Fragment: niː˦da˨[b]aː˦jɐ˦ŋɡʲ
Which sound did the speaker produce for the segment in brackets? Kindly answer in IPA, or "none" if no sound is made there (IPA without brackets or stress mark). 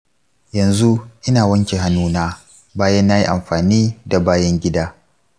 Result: b